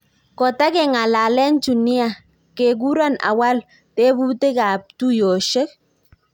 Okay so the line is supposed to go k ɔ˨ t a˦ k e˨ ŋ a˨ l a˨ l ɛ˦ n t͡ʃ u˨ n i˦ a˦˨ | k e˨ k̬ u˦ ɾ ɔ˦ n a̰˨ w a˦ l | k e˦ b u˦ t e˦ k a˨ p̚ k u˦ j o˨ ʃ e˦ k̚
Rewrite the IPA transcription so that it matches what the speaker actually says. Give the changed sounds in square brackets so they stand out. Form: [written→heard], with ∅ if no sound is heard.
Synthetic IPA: k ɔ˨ t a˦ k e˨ ŋ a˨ l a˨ l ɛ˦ n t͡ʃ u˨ n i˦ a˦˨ | k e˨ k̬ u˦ ɾ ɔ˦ n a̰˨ w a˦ l | [k→t] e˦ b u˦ t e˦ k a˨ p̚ [k→t] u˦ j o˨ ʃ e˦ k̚